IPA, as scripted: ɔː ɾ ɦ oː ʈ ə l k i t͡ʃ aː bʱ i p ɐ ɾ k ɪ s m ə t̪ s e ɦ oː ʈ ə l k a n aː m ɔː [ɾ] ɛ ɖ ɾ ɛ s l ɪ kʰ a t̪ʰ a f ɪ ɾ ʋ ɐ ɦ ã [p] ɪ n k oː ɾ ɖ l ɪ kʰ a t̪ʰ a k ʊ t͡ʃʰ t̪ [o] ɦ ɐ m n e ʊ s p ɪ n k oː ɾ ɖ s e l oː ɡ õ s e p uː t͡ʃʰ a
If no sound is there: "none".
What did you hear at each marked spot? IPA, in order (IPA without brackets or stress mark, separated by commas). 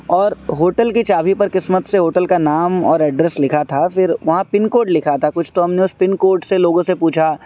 ɾ, p, o